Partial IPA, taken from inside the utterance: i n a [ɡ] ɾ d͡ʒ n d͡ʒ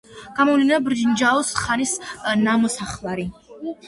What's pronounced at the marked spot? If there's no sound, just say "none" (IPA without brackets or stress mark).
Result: b